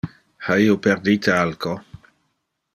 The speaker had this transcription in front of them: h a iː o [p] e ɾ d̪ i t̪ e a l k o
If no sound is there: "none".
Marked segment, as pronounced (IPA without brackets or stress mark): p